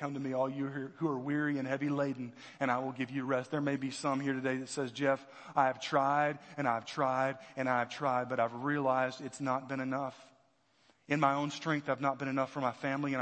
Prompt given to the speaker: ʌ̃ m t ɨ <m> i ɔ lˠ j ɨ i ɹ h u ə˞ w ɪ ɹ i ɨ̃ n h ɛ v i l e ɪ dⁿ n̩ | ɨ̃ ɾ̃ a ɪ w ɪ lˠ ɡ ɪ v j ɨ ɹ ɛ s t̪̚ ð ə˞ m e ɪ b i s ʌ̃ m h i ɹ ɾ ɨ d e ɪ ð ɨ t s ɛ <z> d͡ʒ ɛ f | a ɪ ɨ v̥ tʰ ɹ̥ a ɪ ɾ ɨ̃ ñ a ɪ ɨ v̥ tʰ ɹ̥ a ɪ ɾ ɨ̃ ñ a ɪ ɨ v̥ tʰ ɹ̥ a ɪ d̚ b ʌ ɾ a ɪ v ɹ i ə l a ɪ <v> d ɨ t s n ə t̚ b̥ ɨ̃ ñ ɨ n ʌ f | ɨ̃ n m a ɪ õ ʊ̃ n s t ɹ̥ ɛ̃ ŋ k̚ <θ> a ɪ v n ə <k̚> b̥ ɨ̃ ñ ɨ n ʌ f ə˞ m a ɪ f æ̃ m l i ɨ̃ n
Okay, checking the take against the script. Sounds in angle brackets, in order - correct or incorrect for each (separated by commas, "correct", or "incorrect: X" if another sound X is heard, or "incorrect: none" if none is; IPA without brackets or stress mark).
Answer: correct, correct, incorrect: z, correct, incorrect: t̚